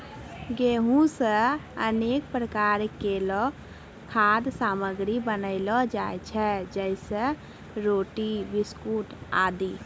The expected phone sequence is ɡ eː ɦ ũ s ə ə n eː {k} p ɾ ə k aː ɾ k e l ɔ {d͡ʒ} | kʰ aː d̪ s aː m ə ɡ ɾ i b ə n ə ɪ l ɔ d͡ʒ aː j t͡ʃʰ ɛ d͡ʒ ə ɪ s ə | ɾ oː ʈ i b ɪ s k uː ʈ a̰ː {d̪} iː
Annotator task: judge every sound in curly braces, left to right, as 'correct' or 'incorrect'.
correct, incorrect, correct

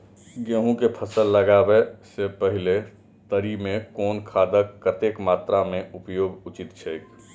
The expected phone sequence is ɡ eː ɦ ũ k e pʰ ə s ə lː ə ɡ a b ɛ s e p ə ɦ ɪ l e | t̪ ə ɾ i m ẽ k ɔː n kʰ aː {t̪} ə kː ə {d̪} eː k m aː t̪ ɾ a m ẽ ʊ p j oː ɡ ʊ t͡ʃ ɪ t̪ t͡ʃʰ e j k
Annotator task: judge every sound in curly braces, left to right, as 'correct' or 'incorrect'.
incorrect, incorrect

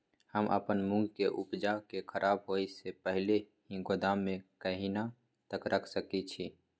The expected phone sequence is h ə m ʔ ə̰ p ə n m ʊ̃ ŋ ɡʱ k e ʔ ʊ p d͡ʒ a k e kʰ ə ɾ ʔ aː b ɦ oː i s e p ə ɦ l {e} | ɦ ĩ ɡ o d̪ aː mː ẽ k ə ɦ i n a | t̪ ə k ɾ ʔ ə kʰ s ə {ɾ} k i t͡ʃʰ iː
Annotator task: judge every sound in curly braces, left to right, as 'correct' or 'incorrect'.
correct, incorrect

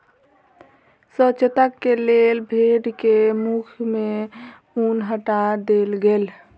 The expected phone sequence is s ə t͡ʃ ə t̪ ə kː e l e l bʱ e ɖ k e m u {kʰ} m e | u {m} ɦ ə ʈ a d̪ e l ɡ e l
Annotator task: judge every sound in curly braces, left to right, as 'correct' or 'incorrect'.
correct, incorrect

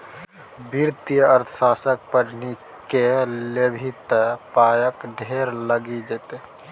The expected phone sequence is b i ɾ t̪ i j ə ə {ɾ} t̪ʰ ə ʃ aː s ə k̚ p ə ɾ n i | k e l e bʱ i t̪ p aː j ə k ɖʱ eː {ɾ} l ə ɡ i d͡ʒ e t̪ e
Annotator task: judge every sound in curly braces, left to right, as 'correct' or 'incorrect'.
correct, correct

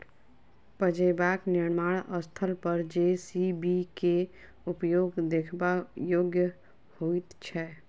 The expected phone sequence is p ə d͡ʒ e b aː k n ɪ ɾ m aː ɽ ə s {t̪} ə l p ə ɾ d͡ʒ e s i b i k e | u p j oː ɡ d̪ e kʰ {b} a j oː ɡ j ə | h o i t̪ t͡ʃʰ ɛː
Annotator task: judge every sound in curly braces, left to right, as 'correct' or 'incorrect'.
incorrect, correct

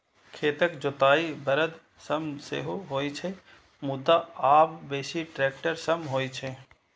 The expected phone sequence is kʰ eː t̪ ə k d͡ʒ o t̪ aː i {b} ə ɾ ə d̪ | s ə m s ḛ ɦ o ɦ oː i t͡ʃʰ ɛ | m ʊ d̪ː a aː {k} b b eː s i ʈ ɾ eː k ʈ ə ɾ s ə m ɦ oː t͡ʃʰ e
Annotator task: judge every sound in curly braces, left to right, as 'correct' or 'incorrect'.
correct, incorrect

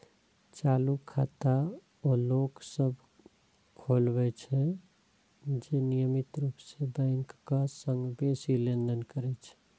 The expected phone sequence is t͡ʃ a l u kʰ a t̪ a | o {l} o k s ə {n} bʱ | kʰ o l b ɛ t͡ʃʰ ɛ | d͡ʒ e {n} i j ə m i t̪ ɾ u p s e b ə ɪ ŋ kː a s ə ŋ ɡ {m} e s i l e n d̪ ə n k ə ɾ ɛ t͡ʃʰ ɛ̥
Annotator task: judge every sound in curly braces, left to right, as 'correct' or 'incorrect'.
correct, incorrect, correct, incorrect

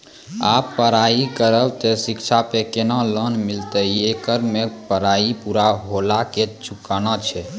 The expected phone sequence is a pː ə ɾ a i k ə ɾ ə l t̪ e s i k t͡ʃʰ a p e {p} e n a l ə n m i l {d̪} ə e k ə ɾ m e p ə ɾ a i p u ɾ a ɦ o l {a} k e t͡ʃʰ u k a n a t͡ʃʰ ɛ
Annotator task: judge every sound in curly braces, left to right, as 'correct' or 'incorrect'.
incorrect, incorrect, correct

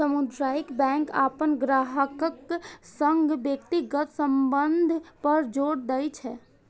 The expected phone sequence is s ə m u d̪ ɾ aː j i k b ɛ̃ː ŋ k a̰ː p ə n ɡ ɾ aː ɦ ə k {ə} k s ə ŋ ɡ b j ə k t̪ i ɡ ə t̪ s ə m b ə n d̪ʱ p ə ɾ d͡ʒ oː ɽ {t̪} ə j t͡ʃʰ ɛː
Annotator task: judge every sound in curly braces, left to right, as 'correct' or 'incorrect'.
correct, incorrect

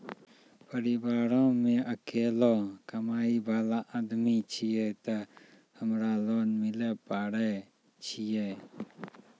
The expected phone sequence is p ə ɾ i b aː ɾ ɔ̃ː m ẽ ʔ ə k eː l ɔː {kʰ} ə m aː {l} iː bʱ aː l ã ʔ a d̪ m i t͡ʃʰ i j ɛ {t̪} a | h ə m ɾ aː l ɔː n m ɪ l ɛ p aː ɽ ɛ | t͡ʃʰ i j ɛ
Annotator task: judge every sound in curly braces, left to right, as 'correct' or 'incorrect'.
incorrect, incorrect, correct

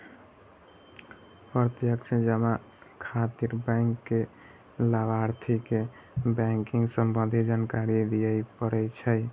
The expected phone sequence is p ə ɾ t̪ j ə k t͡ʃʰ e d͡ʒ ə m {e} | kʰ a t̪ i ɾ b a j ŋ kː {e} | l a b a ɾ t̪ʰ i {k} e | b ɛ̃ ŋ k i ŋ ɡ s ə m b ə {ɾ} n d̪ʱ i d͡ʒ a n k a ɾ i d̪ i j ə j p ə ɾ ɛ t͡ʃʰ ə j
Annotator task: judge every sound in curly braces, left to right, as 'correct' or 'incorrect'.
incorrect, correct, correct, incorrect

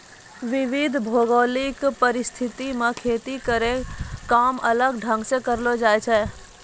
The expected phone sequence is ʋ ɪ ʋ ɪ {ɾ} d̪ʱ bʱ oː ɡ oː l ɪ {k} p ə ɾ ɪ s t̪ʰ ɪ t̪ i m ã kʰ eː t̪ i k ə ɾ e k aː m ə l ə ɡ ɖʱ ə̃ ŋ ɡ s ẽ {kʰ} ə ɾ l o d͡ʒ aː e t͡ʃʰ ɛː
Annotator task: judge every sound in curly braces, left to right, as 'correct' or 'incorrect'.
incorrect, correct, incorrect

